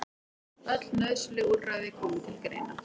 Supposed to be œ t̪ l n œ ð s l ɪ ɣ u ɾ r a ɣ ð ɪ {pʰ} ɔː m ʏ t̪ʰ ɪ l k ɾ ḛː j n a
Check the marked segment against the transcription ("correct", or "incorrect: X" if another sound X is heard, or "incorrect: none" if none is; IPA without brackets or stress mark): incorrect: kʰ